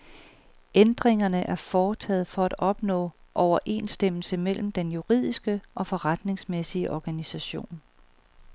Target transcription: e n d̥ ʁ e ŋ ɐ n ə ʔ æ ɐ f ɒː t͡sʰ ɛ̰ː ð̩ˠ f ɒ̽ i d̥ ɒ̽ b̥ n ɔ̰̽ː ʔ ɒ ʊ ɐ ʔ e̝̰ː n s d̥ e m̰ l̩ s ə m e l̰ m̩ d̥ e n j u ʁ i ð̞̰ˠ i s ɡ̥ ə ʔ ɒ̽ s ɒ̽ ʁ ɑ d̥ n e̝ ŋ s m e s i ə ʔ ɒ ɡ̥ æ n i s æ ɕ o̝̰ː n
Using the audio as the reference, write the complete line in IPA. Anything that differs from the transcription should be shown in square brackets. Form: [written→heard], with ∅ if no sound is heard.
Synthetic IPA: e n d̥ ʁ e ŋ ɐ n ə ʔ æ ɐ f ɒː t͡sʰ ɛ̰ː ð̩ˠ f ɒ̽ [i→æ] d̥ ɒ̽ b̥ n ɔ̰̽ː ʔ ɒ ʊ ɐ ʔ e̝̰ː n s d̥ e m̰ l̩ s ə m e l̰ m̩ d̥ e n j u ʁ i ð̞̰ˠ i s ɡ̥ ə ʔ ɒ̽ [s→f] ɒ̽ ʁ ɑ d̥ n e̝ ŋ s m e s i ə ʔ ɒ ɡ̥ æ n i s æ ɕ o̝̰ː n